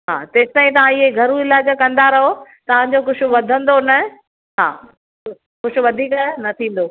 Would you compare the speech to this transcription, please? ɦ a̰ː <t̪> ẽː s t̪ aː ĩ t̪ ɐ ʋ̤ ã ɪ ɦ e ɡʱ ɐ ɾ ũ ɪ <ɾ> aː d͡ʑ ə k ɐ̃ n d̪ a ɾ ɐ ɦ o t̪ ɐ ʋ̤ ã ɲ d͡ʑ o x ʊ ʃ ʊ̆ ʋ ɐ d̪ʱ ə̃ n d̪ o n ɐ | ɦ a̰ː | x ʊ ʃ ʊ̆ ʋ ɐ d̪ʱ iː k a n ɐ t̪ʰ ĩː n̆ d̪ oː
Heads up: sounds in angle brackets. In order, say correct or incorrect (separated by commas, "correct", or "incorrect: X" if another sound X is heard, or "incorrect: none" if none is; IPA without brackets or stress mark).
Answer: correct, incorrect: l